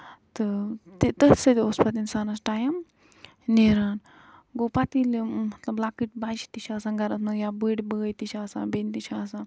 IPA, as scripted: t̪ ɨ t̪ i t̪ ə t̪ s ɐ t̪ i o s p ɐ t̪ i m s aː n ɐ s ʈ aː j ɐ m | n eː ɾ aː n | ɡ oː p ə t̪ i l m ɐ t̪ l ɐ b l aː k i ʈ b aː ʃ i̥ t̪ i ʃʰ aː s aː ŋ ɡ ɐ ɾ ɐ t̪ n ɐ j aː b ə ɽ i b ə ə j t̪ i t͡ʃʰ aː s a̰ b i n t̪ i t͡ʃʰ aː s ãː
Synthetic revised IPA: t̪ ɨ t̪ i t̪ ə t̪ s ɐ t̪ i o s p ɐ t̪ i n s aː n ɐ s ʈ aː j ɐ m | n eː ɾ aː n | ɡ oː p a t̪ i l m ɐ t̪ l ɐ b l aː k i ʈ b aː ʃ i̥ t̪ i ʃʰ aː s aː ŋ ɡ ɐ ɾ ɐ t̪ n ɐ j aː b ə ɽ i b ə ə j t̪ i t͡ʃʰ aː s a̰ b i n t̪ i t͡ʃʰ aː s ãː